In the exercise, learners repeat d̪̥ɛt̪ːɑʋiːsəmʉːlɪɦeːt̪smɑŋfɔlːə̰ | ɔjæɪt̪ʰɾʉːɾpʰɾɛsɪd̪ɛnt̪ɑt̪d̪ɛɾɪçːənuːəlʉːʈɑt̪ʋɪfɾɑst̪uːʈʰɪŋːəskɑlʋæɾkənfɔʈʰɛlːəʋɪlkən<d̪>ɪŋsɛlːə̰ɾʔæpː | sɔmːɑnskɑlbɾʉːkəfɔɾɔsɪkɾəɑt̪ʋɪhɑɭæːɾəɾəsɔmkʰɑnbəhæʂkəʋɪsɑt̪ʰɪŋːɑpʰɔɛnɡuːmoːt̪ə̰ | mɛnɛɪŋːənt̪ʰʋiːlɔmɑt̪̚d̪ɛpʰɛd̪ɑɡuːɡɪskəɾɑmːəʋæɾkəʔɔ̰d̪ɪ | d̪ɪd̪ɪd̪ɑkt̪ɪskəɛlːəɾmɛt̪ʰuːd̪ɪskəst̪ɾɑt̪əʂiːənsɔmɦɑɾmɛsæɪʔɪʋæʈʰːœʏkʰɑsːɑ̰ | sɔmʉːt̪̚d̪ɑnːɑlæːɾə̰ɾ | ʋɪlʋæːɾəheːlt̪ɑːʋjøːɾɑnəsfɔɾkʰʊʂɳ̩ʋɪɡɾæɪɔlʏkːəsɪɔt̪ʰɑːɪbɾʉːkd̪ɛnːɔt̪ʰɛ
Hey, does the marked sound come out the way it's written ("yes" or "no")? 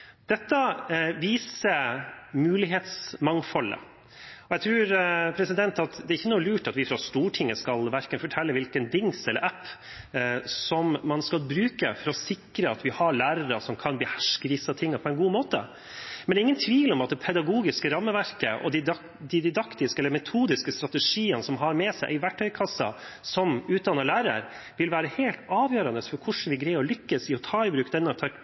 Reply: yes